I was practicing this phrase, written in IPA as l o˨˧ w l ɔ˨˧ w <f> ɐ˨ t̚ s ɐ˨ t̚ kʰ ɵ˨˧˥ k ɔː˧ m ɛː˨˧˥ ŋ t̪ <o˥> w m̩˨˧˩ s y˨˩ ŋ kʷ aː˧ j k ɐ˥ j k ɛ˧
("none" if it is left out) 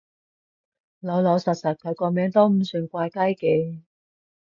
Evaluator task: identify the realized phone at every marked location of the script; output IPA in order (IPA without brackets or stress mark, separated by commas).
s, o˥